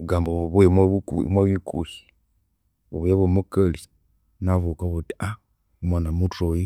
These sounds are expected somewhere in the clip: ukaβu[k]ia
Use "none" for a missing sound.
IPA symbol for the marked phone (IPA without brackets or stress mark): t